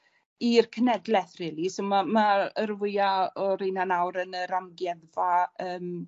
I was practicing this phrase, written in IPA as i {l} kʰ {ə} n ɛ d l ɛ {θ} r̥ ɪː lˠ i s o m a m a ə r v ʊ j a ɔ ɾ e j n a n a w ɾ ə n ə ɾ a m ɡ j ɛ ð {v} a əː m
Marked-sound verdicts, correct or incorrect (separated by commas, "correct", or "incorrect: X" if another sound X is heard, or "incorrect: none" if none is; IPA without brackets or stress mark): incorrect: r, correct, correct, correct